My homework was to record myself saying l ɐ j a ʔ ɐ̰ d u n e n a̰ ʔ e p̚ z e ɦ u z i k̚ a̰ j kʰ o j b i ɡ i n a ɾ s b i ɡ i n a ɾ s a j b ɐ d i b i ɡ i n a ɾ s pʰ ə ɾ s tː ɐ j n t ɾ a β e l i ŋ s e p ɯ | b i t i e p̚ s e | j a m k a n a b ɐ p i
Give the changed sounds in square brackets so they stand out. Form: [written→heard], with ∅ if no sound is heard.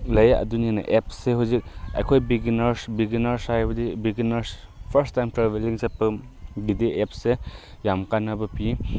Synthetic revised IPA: l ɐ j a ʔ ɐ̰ d u n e n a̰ ʔ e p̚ [z→s] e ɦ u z i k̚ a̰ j kʰ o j b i ɡ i n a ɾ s b i ɡ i n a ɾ s a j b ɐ d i b i ɡ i n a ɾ s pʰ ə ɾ s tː [ɐ→a] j [n→m] t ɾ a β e l i ŋ s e p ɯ | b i [t→d] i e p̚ s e | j a m k a n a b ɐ p i